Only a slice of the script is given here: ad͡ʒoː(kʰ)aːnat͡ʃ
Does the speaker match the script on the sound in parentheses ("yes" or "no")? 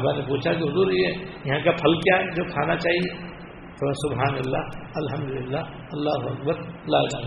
yes